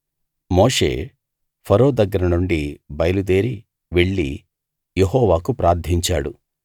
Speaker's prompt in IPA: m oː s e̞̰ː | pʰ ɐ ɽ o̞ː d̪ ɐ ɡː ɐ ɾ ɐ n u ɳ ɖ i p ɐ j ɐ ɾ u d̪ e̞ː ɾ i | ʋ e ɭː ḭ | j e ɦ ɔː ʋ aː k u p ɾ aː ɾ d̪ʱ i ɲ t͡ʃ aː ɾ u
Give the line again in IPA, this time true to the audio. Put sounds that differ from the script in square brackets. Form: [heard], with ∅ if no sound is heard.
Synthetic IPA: m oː [ʂ] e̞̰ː | pʰ ɐ [ɾ] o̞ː d̪ ɐ ɡː ɐ ɾ ɐ n u ɳ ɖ i [b] ɐ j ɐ [l] u d̪ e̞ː ɾ i | ʋ e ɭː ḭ | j e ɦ ɔː ʋ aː k u p ɾ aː ɾ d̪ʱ i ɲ t͡ʃ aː [ɽ] u